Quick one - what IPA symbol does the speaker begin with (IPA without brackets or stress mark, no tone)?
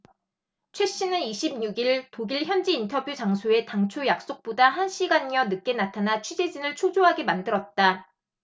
t͡ɕʰ